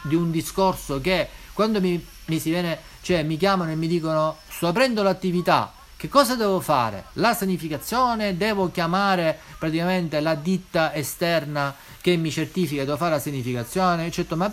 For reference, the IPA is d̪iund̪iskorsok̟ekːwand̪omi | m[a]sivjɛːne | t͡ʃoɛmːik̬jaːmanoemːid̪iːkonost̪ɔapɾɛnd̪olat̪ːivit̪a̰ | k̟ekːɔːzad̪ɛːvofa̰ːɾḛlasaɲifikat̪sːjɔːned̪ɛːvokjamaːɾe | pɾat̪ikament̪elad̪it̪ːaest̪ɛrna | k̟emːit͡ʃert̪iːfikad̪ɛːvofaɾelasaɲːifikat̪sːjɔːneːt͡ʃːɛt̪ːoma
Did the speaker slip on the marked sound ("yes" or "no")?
yes